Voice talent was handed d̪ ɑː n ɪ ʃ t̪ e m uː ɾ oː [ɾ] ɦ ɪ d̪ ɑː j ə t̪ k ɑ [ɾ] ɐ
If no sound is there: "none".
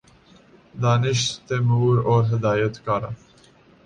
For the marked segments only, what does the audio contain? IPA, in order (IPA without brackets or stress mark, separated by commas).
ɾ, ɾ